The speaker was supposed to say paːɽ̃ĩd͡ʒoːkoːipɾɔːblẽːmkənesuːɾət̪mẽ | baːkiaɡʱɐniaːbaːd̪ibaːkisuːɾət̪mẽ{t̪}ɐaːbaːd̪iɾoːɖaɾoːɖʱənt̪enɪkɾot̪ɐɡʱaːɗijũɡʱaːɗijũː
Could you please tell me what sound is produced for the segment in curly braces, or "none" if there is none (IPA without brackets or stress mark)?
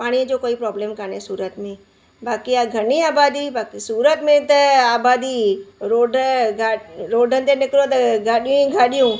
t̪